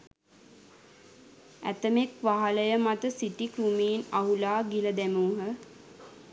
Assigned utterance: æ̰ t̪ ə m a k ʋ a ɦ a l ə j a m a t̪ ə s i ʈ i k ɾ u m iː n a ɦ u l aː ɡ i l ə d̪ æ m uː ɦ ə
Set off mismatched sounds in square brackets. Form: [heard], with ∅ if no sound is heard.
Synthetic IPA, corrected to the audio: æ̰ t̪ ə m [e] k ʋ a ɦ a l ə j [ə] m a t̪ ə s i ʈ i k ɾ u m iː n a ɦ u l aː ɡ i l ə d̪ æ m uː ɦ ə